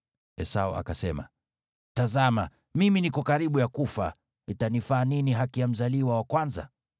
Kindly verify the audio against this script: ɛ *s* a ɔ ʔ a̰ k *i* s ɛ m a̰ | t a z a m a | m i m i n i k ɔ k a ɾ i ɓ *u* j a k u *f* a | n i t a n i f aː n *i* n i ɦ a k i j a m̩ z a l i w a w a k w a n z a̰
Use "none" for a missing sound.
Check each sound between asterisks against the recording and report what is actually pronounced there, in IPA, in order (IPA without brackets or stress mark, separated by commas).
s, a, u, f, i